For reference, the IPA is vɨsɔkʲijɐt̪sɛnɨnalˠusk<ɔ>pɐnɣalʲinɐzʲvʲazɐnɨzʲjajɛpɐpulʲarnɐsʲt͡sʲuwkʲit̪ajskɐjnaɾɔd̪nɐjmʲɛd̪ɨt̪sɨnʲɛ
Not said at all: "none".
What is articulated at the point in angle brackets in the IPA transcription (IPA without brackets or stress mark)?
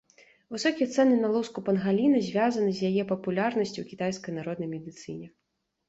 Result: u